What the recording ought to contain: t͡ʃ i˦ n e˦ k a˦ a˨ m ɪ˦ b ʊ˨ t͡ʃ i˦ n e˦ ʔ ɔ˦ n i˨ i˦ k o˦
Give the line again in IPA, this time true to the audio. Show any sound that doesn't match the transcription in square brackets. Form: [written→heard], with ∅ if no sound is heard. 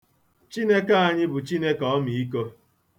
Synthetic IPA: t͡ʃ i˦ n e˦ k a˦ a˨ [m→ɲ] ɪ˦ b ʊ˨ t͡ʃ i˦ n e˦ [ʔ→k] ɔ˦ [n→m] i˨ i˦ k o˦